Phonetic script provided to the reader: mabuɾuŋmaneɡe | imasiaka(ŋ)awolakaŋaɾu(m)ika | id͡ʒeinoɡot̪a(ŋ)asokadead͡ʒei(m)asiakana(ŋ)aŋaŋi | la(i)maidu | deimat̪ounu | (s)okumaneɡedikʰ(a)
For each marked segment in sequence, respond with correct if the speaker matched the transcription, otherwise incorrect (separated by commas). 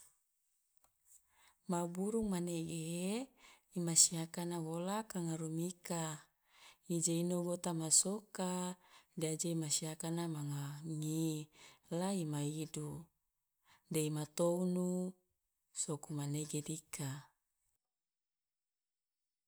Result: incorrect, correct, incorrect, correct, incorrect, correct, correct, correct